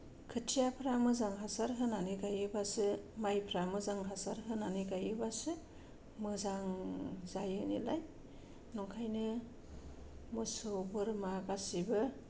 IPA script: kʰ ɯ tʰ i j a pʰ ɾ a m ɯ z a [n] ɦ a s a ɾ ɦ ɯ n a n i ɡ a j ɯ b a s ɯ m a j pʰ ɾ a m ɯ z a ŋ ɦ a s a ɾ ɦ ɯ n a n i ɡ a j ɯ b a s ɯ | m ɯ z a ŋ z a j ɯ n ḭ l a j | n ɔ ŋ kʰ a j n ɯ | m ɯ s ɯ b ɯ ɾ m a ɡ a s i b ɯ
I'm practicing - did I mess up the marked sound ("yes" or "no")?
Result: yes